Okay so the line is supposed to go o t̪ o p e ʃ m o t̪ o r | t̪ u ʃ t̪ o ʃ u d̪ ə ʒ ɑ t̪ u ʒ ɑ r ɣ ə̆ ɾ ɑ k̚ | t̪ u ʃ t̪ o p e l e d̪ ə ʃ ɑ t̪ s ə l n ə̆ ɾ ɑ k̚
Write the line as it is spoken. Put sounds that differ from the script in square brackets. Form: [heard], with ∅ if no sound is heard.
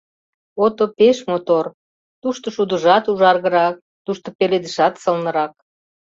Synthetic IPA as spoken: o t̪ o p e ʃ m o t̪ o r | t̪ u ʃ t̪ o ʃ u d̪ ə ʒ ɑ t̪ u ʒ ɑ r ɣ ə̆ ɾ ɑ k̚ | t̪ u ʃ t̪ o p e l e d̪ ə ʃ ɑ t̪ s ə l n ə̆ ɾ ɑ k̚